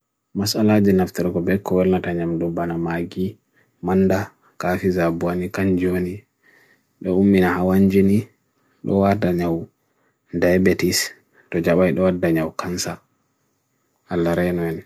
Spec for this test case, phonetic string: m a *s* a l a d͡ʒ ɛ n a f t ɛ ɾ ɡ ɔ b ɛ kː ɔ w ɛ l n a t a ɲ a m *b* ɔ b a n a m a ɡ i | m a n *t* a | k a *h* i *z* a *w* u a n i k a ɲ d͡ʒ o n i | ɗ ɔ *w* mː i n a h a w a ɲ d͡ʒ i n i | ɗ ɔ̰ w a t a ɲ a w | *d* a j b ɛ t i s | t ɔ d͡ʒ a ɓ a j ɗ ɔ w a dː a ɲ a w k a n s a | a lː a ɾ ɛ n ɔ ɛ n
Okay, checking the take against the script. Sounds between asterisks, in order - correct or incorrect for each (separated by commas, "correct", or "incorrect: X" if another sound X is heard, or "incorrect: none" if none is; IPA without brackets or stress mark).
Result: correct, incorrect: d, incorrect: d, incorrect: f, correct, incorrect: b, incorrect: u, correct